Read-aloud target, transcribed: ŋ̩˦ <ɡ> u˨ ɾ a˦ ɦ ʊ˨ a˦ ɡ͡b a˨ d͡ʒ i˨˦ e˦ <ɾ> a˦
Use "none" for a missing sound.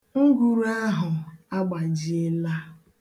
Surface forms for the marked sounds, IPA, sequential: ɡ, l

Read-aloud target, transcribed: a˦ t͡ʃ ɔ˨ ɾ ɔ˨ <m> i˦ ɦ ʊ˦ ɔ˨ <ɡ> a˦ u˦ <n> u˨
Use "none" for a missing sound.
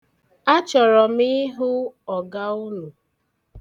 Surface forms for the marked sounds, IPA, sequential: m, ɡ, n

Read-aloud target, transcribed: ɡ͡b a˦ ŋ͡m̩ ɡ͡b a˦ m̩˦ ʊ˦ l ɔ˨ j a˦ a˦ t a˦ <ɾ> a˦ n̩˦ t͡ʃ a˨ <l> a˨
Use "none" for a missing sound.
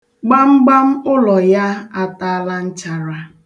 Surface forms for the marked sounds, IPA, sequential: l, ɾ

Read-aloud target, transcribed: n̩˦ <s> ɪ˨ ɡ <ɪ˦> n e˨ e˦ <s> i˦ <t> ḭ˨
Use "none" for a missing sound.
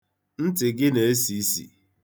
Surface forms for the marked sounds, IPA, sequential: t, ɪ˦, s, s

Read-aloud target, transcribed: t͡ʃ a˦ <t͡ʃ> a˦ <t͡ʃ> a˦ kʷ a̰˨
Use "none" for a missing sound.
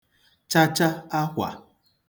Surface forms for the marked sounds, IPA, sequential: t͡ʃ, none

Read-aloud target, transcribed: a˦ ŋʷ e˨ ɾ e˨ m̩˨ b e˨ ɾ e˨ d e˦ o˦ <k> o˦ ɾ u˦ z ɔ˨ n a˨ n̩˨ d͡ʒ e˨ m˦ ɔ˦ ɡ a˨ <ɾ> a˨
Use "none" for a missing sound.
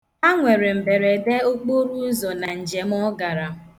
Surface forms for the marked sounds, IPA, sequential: k͡p, ɾ

